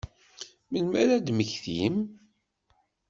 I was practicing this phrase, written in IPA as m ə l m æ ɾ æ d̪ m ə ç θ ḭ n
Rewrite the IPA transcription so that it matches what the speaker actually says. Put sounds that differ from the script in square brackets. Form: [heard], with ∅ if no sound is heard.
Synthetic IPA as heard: m ə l m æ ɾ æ d̪ m ə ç θ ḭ [m]